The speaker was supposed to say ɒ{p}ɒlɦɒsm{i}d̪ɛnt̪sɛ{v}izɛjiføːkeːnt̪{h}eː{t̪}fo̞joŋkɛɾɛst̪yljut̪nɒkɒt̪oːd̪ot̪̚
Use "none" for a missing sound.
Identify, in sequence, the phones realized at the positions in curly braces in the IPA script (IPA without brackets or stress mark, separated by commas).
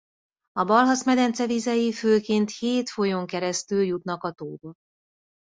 b, ɛ, v, h, t̪